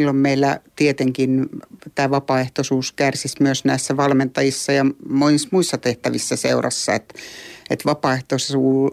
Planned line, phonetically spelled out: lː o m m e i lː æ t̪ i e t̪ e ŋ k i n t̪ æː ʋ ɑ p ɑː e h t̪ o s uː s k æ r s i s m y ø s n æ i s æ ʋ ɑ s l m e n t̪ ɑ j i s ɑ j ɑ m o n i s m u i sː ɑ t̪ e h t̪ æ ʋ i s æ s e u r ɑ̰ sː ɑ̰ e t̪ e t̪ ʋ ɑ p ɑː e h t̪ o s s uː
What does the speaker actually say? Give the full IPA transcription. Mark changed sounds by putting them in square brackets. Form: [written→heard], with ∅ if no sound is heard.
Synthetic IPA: lː o m m e i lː æ t̪ i e t̪ e ŋ k i n t̪ æː ʋ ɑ p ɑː e h t̪ o s uː s k æ r s i s m y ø s n æ i [s→sː] æ ʋ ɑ [s→∅] l m e n t̪ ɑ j i [s→sː] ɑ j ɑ m o n i s m u i sː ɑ t̪ e h t̪ æ ʋ i [s→sː] æ s e u r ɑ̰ sː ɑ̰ e t̪ e t̪ ʋ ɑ p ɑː e h t̪ o s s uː